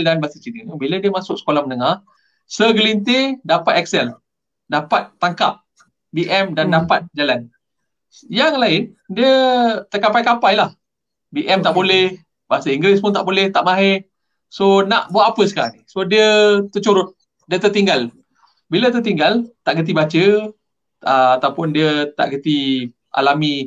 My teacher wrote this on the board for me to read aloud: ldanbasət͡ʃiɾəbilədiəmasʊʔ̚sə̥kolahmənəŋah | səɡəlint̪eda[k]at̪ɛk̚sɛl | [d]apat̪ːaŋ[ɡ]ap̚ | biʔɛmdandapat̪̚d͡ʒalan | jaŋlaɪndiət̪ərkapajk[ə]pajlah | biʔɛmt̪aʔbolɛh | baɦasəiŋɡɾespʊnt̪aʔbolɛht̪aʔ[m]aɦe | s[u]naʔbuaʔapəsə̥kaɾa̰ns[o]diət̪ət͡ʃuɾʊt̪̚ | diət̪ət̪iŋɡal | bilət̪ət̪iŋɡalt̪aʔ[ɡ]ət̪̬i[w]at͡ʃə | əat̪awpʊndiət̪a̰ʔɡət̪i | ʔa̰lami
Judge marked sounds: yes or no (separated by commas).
no, yes, no, no, yes, no, yes, yes, no